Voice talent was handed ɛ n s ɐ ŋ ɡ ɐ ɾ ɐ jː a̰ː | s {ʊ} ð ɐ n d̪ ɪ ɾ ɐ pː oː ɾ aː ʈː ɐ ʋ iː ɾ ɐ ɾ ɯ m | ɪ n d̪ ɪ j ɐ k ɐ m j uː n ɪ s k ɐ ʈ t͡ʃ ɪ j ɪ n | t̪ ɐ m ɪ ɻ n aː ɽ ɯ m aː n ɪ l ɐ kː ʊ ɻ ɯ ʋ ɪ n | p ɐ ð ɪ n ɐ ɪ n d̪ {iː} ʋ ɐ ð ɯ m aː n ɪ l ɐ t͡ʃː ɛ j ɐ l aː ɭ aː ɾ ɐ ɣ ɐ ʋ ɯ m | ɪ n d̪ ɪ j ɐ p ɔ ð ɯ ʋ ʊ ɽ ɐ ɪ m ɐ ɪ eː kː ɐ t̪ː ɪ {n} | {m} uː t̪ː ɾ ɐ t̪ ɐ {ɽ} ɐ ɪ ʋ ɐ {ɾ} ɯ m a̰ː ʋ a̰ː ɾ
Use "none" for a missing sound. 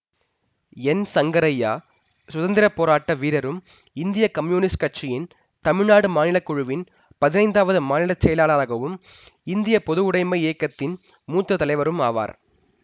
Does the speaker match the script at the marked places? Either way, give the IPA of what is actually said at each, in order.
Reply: ʊ, aː, n, m, l, ɾ

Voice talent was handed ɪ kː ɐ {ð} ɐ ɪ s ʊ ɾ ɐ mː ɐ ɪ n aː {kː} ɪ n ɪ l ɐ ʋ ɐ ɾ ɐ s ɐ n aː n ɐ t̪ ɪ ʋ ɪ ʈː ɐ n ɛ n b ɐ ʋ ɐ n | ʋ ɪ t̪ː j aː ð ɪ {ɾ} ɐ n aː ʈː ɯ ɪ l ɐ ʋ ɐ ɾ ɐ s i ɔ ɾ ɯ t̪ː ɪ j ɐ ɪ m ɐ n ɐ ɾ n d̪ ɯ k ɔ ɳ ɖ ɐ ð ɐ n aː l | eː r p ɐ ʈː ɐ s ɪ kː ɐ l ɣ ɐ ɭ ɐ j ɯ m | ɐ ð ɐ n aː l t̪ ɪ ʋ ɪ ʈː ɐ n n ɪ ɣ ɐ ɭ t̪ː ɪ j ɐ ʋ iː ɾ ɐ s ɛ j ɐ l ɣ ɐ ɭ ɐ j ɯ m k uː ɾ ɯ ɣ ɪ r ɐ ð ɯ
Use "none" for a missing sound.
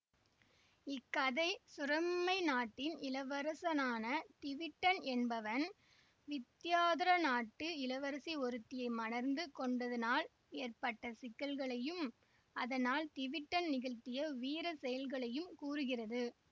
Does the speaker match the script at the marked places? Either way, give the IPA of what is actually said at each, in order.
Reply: ð, ʈː, ɾ

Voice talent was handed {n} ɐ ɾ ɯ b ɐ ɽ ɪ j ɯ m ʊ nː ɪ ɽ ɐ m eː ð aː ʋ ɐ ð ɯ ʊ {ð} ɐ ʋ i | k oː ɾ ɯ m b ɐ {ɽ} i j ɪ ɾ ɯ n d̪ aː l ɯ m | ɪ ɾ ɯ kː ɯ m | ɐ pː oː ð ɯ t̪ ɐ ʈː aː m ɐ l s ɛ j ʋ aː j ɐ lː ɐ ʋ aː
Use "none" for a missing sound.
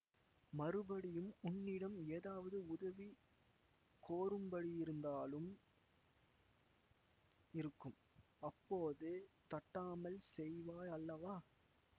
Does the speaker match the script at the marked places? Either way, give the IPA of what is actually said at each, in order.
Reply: m, ð, ɽ

